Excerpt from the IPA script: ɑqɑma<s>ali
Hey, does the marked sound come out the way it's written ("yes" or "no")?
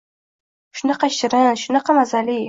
no